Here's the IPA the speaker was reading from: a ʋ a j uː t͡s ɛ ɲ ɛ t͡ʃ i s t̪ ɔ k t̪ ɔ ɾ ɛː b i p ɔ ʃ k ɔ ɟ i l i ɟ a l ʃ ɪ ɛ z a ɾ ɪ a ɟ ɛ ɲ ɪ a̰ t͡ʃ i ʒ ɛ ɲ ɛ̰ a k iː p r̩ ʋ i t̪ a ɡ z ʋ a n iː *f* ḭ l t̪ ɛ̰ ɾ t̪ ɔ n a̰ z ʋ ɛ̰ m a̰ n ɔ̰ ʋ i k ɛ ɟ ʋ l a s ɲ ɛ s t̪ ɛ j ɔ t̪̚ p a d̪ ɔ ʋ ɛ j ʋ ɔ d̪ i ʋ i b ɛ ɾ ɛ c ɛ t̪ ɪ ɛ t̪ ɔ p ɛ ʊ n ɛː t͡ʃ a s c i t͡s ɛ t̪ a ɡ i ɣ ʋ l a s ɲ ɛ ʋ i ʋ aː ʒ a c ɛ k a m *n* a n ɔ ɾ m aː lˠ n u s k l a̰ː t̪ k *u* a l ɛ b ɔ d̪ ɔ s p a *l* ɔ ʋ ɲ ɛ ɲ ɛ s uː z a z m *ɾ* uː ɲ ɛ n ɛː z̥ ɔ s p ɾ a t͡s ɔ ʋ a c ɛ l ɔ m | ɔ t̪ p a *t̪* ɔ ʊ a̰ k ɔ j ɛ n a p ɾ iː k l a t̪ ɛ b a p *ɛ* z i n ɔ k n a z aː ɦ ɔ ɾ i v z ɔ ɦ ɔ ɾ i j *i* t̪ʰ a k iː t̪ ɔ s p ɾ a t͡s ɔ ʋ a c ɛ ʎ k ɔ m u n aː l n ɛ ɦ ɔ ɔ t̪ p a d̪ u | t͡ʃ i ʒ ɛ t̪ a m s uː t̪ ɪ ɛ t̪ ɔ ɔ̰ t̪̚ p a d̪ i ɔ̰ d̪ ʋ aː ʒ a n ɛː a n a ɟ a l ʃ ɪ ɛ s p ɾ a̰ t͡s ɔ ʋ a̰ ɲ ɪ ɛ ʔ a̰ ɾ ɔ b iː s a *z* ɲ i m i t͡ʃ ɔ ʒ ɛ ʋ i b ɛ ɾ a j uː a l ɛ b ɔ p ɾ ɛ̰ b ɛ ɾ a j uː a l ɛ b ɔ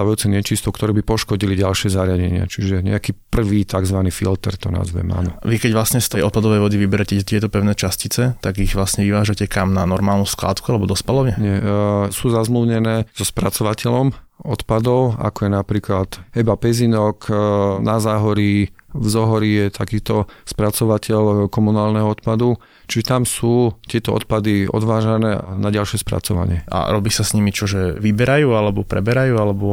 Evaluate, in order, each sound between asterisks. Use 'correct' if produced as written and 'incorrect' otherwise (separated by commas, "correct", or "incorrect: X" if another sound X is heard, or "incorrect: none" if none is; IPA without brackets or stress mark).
correct, correct, correct, correct, incorrect: l, incorrect: d̪, correct, incorrect: ɛ, incorrect: s